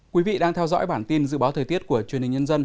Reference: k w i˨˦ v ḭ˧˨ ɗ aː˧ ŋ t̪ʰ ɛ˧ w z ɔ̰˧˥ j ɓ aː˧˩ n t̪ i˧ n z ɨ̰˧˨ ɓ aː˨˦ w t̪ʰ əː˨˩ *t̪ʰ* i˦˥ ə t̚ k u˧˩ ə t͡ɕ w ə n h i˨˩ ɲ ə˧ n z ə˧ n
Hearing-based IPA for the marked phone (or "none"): t̪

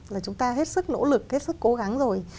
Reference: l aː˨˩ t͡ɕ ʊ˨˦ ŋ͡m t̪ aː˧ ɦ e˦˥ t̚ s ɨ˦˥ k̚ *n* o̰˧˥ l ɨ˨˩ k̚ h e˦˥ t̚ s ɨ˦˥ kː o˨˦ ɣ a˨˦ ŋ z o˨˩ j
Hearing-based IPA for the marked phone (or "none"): n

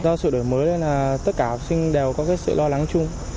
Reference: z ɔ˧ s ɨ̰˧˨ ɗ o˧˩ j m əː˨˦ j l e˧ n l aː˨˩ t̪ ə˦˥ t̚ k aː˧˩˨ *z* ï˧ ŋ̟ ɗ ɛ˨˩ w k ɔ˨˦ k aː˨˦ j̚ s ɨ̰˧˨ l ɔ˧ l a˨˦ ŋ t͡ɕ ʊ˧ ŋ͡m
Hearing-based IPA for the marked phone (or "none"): s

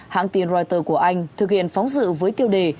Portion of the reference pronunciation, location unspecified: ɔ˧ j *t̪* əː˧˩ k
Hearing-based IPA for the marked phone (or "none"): t̪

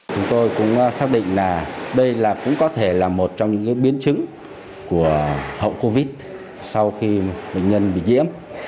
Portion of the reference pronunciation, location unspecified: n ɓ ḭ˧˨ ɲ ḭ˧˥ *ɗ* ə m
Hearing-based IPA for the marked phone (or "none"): none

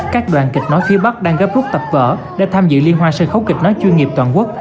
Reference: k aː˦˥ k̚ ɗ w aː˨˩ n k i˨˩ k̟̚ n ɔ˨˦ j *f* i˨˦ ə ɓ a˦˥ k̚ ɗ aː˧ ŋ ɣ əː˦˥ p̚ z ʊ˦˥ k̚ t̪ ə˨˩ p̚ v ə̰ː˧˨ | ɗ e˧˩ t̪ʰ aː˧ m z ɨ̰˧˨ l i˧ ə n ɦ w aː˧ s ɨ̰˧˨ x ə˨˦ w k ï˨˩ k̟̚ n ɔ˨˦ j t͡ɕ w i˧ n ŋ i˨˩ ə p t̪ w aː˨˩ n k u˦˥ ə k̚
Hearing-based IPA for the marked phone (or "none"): f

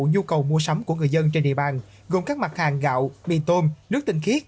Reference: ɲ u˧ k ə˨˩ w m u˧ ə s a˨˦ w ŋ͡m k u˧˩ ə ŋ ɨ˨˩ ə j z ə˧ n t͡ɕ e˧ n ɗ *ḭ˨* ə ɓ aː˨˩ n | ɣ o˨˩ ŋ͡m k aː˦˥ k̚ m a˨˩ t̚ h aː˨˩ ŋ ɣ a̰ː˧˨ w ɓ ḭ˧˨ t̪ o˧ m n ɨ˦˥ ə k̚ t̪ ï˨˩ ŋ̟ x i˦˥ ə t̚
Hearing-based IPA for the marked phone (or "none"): ḭ˨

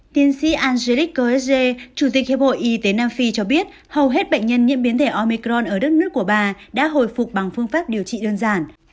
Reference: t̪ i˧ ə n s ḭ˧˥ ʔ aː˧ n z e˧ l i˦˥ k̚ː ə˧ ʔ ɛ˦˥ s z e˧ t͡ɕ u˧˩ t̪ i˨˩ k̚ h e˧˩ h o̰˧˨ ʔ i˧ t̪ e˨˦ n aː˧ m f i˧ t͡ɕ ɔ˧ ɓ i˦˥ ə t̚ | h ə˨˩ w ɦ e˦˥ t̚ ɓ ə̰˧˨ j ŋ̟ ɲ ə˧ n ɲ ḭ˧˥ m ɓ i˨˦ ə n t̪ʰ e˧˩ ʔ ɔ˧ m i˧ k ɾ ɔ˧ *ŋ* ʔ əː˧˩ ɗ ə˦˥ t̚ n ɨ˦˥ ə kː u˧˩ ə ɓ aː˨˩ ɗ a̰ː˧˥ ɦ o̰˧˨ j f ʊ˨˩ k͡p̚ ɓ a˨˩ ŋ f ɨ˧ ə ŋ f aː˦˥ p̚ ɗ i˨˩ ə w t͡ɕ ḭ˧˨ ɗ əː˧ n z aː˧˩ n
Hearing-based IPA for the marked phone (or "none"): n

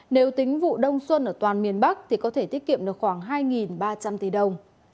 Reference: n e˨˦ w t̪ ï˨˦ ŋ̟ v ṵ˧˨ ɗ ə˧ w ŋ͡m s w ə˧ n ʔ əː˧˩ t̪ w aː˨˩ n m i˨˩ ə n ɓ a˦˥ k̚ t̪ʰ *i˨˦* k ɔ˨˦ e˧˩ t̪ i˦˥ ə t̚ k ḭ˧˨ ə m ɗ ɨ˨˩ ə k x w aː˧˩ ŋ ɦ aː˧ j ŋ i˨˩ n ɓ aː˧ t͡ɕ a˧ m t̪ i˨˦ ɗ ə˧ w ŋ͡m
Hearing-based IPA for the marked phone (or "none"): i˨˩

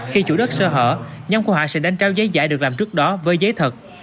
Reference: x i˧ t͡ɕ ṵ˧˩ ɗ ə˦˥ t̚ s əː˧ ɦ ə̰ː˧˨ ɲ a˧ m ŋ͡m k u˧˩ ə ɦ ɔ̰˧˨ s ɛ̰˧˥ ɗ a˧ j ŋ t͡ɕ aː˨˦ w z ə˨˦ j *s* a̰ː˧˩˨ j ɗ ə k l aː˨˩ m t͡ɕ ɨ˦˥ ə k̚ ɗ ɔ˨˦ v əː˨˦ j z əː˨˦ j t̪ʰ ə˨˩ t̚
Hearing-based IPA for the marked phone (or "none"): z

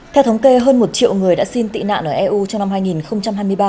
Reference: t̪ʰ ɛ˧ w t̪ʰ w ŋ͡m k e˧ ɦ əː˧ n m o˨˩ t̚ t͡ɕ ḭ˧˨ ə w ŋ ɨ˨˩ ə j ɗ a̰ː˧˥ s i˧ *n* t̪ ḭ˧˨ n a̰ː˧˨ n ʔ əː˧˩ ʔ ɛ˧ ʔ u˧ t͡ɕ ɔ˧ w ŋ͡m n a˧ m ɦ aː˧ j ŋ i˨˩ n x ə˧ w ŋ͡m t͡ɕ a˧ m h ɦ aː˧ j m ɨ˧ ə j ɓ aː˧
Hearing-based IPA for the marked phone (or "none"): n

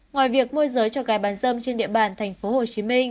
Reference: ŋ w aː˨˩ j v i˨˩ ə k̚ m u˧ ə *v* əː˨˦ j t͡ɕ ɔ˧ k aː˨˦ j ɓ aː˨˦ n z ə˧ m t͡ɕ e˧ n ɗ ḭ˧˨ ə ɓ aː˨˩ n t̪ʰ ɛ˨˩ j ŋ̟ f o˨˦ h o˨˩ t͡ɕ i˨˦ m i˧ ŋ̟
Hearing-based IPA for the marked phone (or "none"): z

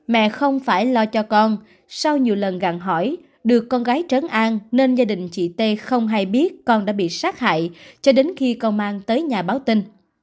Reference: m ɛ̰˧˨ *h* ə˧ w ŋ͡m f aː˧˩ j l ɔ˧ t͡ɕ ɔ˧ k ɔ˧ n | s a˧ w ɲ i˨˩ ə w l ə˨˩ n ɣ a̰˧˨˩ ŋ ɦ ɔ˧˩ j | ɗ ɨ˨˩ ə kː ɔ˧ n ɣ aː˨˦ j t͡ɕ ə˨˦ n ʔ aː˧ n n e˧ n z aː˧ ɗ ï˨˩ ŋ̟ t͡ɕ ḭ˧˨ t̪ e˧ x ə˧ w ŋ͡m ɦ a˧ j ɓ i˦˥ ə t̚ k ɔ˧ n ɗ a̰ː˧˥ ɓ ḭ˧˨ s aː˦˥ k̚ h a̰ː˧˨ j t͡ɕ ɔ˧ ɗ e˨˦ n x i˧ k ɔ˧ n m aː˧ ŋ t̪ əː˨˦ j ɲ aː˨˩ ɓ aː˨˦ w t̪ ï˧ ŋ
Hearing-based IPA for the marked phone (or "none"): x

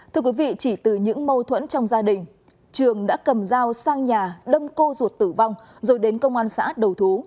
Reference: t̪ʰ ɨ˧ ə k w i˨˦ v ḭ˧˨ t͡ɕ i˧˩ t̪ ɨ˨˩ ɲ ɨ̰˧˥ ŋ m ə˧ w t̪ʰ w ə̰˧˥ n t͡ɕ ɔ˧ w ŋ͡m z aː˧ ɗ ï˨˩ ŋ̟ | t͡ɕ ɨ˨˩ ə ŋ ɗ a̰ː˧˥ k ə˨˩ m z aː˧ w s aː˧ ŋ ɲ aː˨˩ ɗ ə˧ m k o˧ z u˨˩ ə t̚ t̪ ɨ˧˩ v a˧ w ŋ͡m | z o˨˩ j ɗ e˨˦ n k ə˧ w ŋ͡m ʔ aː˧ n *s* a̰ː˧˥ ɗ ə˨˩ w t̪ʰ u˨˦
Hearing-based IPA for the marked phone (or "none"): s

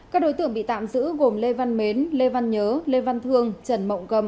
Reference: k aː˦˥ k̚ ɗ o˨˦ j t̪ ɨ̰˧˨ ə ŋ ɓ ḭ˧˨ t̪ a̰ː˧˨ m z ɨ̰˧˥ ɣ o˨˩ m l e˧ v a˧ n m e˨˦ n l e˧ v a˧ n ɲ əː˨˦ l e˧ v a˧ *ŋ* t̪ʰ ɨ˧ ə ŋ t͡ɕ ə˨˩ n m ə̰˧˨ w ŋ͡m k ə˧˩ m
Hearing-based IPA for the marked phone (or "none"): n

